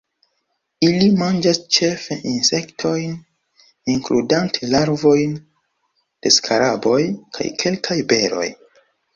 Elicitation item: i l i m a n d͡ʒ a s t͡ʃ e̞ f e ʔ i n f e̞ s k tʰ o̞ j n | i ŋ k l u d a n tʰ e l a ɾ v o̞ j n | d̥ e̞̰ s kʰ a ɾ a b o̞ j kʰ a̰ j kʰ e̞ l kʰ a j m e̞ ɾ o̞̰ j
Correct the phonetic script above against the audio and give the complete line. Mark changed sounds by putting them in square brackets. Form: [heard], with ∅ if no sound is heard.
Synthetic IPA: i l i m a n d͡ʒ a s t͡ʃ e̞ f e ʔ i n [s] e̞ [∅] k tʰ o̞ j n | i ŋ k l u d a n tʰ e l a ɾ v o̞ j n | d̥ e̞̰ s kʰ a ɾ a b o̞ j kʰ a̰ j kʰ e̞ l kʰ a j [b] e̞ ɾ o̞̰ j